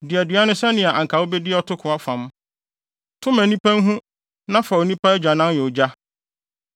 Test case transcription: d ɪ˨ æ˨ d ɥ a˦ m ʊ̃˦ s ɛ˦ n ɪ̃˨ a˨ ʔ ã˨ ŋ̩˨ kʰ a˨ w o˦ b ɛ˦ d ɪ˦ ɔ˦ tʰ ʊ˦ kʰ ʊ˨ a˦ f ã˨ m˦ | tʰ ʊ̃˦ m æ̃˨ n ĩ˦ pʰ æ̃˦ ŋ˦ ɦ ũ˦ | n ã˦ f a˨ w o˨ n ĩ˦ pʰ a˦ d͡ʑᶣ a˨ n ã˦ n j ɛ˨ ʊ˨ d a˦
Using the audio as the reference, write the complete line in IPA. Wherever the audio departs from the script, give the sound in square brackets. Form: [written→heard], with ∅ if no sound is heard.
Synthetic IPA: d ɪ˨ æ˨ d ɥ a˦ [m→n] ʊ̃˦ s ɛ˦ n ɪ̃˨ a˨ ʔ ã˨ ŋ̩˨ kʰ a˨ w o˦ b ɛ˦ d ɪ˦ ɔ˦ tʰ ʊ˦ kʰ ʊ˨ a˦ f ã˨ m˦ | tʰ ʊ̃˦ m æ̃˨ n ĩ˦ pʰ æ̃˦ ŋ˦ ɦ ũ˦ | n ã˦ f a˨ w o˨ n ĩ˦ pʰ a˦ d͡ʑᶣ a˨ n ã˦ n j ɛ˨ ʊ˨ [d→d͡ʑ] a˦